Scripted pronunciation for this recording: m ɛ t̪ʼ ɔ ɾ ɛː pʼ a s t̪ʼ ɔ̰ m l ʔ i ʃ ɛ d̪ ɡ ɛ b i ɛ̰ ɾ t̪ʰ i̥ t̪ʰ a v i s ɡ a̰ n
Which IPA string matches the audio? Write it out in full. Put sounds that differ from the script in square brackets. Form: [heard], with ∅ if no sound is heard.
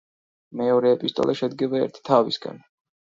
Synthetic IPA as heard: m ɛ [∅] ɔ ɾ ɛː pʼ [i] s t̪ʼ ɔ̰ [∅] l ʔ [a] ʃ ɛ d̪ ɡ ɛ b [a] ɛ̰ ɾ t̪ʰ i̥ t̪ʰ a v i s ɡ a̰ n